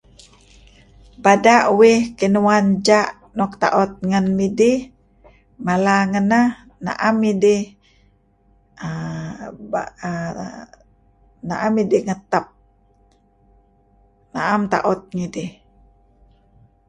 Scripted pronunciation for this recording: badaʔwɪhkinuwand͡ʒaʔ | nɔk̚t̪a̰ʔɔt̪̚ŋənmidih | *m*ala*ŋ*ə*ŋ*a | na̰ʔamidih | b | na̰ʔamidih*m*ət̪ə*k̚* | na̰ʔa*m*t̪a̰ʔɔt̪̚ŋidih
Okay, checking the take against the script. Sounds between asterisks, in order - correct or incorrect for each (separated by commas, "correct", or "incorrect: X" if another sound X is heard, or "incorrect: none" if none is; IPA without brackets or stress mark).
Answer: correct, correct, incorrect: n, incorrect: ŋ, incorrect: p̚, correct